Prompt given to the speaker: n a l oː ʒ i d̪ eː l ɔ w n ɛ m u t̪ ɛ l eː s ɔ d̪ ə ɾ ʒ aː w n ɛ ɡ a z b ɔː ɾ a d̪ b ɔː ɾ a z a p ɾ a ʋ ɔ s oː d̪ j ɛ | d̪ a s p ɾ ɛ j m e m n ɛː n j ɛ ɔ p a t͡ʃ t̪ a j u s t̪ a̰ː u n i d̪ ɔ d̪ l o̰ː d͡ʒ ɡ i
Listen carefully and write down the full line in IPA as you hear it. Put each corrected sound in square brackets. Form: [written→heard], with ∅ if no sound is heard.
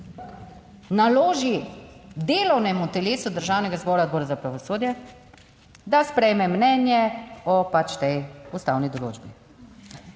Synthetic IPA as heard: n a l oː ʒ i d̪ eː l ɔ w n ɛ m u t̪ ɛ l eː s [ɔ→u] d̪ ə ɾ ʒ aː w n ɛ ɡ a z b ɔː ɾ a d̪ b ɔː ɾ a z a p ɾ a ʋ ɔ s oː d̪ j ɛ | d̪ a s p ɾ ɛ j m [e→ɛ] m n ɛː n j ɛ ɔ p a t͡ʃ t̪ [a→ɛ] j u s t̪ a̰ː [u→w] n i d̪ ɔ [d̪→∅] l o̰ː d͡ʒ [ɡ→b] i